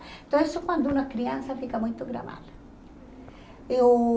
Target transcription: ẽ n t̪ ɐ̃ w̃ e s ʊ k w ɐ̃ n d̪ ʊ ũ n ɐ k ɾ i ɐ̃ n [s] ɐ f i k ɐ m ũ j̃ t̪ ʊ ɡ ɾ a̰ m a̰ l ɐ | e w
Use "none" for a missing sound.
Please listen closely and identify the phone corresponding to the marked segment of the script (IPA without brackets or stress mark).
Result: s